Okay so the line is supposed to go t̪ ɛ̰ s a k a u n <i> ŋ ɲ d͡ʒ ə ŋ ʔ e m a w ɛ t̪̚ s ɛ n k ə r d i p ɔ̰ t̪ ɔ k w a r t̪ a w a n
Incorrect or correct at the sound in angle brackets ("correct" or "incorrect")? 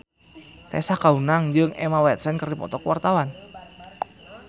incorrect